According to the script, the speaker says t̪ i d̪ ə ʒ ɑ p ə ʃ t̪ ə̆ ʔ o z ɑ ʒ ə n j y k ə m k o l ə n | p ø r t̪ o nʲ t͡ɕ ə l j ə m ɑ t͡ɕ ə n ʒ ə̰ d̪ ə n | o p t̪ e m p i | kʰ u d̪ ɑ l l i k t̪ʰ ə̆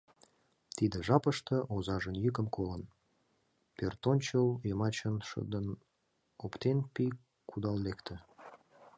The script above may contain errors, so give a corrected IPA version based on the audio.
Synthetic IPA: t̪ i d̪ ə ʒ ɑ p ə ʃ t̪ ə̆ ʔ o z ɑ ʒ ə n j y k ə m k o l ə n | p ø r t̪ o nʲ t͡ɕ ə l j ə m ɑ t͡ɕ ə n ʃ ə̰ d̪ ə n | o p t̪ e n p i | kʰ u d̪ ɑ l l e k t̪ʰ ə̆